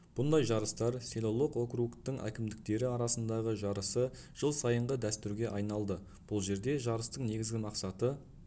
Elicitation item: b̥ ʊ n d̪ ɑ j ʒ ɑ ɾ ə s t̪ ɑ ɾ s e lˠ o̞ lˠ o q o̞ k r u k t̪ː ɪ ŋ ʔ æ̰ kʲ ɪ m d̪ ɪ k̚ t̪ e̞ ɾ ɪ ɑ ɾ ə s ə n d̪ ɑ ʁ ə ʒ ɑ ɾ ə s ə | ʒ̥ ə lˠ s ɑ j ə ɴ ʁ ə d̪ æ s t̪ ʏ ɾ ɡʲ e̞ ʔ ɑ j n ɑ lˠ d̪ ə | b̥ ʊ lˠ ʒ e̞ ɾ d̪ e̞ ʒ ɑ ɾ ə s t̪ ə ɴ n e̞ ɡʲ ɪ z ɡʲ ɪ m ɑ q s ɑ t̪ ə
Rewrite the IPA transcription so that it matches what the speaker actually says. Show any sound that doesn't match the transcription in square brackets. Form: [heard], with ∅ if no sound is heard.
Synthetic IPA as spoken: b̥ ʊ n d̪ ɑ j ʒ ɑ ɾ ə s t̪ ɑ ɾ s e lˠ o̞ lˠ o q o̞ k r u k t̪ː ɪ ŋ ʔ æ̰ kʲ ɪ m d̪ ɪ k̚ t̪ e̞ ɾ ɪ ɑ ɾ [ɑ] s ə n d̪ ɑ ʁ ə ʒ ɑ ɾ ə s ə | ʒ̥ ə lˠ s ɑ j ə ɴ ʁ ə d̪ æ s t̪ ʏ ɾ ɡʲ e̞ ʔ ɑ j n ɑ lˠ d̪ ə | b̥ ʊ lˠ ʒ e̞ ɾ d̪ e̞ ʒ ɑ ɾ ə s t̪ ə ɴ n e̞ ɡʲ ɪ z ɡʲ ɪ m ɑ q s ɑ t̪ ə